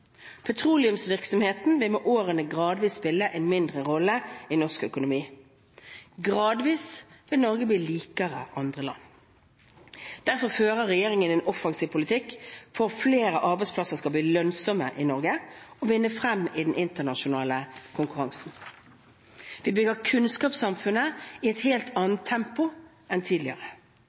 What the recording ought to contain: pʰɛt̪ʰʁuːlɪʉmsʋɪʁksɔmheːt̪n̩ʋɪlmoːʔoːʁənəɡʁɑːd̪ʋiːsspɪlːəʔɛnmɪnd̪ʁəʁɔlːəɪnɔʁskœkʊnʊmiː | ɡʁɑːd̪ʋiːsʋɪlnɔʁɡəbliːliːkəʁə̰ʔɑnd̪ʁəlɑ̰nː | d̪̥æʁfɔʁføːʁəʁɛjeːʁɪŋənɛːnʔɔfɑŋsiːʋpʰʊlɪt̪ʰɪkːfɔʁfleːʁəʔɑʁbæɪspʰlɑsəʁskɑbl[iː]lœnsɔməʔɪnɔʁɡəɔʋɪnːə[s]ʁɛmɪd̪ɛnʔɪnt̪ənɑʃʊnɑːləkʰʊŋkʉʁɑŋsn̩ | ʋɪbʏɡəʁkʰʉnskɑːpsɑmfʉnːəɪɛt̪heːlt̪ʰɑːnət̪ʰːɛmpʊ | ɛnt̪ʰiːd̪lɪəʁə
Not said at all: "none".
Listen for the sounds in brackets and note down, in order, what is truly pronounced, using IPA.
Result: iː, f

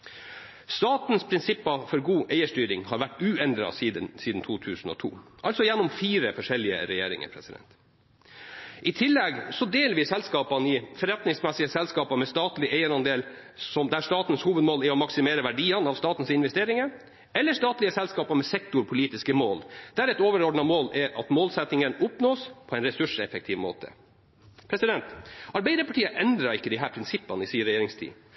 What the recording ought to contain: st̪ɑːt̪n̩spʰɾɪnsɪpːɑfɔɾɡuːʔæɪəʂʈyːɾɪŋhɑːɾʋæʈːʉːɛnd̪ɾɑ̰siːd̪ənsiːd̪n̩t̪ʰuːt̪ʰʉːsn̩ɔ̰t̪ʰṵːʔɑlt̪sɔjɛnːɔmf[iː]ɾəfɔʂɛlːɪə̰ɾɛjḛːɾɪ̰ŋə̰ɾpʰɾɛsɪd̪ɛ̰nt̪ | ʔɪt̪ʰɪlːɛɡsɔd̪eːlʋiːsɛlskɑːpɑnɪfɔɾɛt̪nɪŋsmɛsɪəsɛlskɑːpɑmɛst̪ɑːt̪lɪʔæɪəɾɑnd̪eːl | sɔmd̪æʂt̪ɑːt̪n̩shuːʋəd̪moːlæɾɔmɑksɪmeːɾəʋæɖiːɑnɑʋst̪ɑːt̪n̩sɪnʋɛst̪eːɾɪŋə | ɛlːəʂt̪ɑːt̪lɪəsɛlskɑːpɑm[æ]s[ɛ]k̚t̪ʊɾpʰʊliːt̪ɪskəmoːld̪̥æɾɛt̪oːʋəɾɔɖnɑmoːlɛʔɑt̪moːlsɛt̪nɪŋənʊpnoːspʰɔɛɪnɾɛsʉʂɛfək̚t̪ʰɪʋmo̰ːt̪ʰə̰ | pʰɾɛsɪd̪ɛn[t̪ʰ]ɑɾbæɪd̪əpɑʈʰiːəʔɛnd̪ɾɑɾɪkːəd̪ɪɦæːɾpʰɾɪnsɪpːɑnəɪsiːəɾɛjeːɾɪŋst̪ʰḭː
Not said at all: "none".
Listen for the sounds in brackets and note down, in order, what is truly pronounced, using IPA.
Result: iː, ɛ, ɛ, t̪

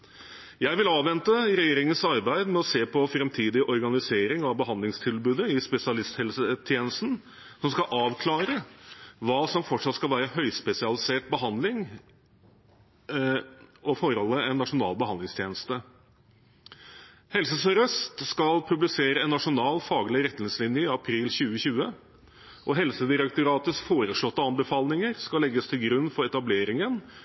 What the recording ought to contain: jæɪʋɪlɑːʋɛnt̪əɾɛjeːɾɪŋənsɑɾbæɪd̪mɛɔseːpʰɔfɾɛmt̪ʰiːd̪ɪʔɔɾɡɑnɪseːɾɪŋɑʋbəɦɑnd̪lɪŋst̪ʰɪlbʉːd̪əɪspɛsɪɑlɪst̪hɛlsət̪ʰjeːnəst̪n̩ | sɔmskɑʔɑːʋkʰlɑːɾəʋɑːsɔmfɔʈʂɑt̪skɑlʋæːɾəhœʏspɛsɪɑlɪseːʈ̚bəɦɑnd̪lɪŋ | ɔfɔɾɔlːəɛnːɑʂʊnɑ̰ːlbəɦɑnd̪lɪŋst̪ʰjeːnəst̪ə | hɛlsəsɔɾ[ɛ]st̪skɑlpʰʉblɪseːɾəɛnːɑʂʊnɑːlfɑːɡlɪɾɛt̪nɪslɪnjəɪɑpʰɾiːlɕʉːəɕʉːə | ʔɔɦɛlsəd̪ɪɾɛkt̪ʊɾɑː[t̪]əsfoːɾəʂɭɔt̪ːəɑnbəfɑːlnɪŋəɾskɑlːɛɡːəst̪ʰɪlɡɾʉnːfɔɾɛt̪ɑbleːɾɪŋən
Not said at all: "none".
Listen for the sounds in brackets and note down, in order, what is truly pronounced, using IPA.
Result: œ, t̪

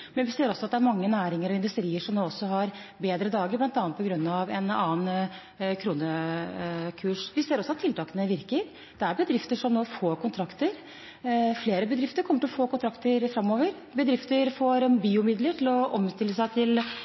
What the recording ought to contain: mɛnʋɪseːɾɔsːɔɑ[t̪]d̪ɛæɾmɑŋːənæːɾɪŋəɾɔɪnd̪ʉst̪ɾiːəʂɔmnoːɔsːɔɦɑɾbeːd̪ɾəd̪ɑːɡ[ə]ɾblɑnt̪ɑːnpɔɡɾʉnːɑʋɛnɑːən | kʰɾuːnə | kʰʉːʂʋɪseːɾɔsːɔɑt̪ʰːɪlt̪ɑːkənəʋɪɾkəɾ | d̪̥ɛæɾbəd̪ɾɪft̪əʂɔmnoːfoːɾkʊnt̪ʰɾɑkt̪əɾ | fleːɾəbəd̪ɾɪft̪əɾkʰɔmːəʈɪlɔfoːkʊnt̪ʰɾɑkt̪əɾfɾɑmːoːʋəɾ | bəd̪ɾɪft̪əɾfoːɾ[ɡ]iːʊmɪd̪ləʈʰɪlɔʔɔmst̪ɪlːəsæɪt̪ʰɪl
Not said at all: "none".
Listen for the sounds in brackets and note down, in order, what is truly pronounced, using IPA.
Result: t̪, ə, b

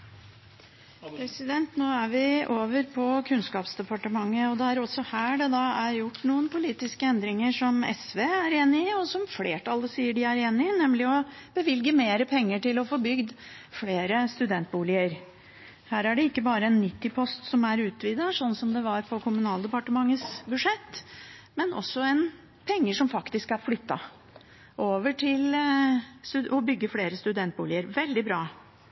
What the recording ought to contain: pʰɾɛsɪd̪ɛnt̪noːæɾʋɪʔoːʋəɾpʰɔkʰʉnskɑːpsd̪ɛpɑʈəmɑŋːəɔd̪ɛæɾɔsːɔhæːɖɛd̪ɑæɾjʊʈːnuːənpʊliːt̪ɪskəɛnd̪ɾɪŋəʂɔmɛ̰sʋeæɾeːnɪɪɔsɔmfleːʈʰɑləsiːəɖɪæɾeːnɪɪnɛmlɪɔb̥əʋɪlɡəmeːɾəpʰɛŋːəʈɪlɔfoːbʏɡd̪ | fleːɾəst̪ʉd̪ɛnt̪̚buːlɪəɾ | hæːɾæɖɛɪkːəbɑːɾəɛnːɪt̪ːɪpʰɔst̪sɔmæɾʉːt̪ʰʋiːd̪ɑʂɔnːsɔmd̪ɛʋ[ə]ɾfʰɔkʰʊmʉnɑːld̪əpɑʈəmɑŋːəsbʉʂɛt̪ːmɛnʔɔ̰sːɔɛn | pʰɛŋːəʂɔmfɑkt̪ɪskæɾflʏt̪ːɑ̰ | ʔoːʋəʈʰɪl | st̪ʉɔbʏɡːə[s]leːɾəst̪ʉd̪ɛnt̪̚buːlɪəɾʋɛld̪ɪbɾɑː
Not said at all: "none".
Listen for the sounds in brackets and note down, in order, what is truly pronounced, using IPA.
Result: ɑ, f

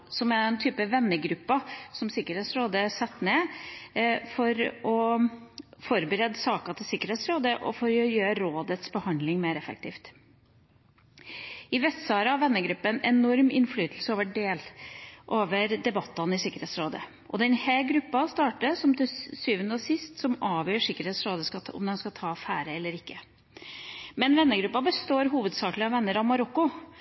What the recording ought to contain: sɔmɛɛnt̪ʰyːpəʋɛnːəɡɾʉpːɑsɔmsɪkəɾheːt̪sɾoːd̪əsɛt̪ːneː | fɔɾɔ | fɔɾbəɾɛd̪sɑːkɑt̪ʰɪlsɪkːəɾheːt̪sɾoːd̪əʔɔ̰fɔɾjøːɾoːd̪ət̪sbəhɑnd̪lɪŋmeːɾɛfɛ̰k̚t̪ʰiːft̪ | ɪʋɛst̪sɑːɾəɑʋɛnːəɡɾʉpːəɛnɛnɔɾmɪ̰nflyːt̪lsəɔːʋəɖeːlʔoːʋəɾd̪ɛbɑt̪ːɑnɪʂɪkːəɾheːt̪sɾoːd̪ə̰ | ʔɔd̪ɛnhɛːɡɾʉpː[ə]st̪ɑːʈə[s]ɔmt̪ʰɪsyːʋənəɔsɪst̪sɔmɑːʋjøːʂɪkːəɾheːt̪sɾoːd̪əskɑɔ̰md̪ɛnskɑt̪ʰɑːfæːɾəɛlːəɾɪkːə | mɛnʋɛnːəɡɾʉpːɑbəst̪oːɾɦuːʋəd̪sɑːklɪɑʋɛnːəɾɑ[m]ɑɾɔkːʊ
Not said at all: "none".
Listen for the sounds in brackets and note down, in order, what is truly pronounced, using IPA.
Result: ɑ, s, m

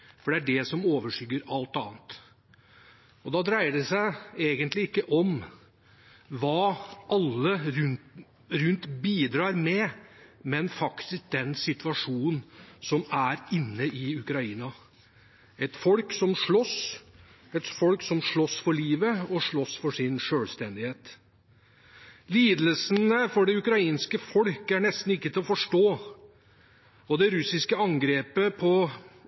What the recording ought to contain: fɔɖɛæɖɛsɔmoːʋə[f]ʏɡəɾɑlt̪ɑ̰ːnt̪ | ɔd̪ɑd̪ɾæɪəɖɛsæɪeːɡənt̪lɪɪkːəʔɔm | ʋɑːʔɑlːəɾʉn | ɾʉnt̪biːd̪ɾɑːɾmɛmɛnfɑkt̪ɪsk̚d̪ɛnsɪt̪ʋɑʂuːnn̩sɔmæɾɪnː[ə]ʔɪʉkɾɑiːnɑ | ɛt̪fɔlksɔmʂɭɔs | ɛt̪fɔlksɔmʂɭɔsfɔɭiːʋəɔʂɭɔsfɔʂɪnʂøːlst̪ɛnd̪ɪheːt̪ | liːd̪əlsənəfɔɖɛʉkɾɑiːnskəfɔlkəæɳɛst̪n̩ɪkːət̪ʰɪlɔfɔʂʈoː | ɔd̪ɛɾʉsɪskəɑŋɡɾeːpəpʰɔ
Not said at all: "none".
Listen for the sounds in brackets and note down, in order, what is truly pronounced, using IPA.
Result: ʂ, ə

